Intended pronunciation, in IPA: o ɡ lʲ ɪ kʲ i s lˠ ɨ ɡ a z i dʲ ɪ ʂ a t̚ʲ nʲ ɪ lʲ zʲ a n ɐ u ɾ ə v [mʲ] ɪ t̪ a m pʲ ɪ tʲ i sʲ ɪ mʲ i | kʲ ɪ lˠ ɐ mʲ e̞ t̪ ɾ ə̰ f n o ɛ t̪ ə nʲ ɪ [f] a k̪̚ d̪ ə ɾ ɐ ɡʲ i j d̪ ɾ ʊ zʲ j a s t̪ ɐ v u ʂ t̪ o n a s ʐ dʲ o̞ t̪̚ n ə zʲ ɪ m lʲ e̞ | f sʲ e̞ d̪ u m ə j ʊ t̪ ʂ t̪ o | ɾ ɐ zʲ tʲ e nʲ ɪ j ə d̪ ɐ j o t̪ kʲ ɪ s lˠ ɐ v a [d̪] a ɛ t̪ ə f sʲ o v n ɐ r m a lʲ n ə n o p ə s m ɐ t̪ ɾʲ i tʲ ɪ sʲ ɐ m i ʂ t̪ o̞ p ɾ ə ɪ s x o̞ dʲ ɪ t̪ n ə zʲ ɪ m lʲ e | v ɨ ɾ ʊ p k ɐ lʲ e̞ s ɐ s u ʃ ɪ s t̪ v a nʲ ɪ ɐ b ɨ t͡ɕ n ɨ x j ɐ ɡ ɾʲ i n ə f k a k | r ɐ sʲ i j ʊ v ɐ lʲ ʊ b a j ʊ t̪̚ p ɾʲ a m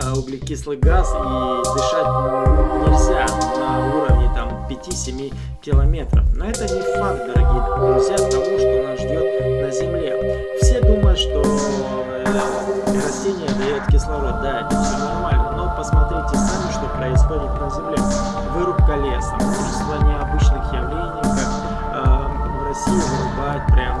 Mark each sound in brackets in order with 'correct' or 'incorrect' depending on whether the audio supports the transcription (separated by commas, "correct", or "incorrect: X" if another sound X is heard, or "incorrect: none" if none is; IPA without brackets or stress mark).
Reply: incorrect: nʲ, correct, correct